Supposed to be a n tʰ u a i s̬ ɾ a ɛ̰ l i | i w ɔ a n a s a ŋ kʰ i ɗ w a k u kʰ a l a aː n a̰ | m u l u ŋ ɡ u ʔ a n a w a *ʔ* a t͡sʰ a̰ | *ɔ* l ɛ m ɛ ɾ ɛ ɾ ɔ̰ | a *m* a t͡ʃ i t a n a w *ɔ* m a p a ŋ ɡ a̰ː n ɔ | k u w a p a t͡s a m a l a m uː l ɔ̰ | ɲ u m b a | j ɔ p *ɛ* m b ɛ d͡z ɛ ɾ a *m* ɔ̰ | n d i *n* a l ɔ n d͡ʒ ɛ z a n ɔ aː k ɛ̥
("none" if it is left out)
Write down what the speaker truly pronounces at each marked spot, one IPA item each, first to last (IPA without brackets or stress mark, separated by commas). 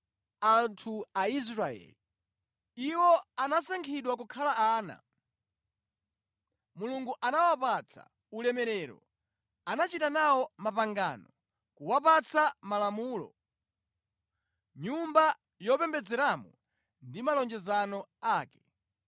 p, u, n, ɔ, ɛ, m, m